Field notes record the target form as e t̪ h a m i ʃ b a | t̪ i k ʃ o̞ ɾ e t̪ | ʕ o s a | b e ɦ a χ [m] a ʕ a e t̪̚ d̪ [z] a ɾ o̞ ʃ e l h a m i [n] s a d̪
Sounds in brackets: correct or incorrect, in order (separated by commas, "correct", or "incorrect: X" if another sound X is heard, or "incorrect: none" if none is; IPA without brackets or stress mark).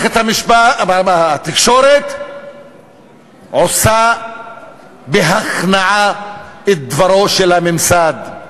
incorrect: n, incorrect: v, incorrect: m